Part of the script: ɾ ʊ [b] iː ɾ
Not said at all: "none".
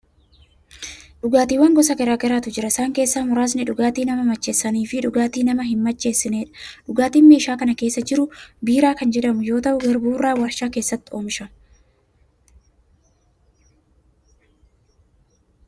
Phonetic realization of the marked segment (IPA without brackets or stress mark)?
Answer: b